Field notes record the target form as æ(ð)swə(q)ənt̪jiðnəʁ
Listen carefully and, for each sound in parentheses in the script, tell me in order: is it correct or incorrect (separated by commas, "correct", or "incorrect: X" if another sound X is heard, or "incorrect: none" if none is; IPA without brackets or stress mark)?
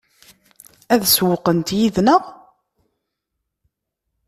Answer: correct, correct